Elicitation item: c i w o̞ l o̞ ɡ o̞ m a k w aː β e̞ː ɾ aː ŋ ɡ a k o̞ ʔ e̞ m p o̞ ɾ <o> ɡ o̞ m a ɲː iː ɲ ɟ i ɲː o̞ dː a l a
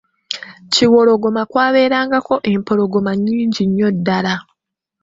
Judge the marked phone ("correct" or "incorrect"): correct